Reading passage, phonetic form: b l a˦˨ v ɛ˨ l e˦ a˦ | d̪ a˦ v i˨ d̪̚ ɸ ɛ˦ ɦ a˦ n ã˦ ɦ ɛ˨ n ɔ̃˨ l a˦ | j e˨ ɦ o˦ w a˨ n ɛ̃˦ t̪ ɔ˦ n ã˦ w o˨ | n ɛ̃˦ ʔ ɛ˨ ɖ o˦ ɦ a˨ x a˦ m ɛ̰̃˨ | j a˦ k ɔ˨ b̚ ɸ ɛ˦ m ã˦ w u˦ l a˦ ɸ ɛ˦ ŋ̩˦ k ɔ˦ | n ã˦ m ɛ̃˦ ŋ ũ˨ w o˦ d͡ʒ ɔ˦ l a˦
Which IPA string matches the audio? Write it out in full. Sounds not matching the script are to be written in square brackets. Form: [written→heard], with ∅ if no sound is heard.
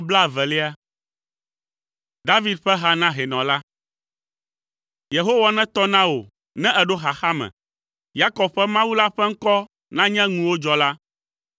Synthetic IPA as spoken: b l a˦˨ v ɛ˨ l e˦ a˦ | d̪ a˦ v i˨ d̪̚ ɸ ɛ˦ ɦ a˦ n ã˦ ɦ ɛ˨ n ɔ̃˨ l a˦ | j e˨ ɦ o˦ w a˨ n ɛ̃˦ t̪ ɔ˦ n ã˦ w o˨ | n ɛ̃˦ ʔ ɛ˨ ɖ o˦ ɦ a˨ x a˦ m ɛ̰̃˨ | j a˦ k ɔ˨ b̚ ɸ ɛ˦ m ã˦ w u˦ l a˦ ɸ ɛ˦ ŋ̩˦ k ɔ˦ | n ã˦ [m→ɲ] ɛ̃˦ ŋ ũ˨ w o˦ d͡ʒ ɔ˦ l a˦